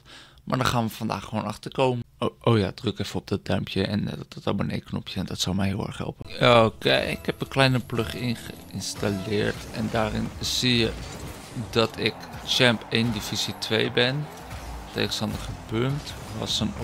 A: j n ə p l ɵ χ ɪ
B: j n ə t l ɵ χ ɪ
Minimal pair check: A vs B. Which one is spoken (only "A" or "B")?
A